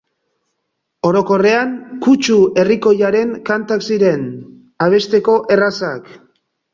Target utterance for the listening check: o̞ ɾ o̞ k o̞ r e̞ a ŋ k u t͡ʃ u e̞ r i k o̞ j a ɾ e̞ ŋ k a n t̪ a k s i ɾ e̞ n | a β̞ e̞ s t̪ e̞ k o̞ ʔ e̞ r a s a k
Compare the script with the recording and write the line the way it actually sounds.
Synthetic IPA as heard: o̞ ɾ o̞ k o̞ r e̞ a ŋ k u t͡ʃ u e̞ r i k o̞ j a ɾ e̞ ŋ k a n t̪ a k s i ɾ e̞ n | a β̞ e̞ s t̪ e̞ k o̞ ʔ e̞ r a s a k